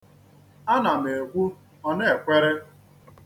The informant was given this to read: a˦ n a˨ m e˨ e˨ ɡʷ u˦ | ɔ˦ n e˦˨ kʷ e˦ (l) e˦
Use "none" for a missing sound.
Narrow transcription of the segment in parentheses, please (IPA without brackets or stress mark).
ɾ